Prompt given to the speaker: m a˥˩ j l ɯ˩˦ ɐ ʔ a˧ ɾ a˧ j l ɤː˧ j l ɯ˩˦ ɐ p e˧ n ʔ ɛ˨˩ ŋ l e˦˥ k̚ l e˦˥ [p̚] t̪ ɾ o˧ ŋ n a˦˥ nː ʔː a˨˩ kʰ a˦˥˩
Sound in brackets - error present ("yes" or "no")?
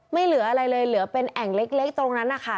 yes